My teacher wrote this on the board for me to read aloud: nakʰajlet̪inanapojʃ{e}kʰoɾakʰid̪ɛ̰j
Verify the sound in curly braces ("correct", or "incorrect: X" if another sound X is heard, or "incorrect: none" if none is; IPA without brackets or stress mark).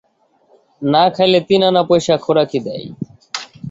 incorrect: a